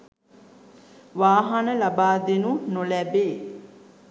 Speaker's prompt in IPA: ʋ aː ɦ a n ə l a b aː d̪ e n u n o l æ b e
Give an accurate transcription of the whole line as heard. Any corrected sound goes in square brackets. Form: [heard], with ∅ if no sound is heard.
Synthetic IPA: ʋ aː ɦ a n ə l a b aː d̪ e n u n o l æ b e